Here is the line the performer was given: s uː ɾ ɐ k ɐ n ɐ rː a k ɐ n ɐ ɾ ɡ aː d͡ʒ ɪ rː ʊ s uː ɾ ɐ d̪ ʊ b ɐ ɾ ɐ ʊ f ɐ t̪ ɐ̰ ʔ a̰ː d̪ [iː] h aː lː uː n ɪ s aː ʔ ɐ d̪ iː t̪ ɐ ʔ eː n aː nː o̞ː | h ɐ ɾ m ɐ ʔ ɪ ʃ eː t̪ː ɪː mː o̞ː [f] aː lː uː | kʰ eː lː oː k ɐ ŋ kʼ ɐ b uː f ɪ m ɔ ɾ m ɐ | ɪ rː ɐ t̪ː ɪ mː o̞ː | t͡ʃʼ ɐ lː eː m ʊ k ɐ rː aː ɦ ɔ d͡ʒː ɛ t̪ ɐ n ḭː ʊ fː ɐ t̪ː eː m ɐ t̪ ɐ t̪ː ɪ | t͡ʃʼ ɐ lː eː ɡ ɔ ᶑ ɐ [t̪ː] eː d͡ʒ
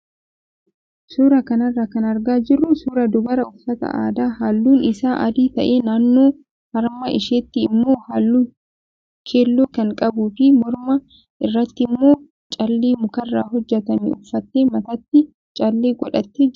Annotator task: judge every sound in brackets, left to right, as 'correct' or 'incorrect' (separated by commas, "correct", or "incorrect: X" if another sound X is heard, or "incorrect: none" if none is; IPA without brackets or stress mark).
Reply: incorrect: aː, incorrect: h, correct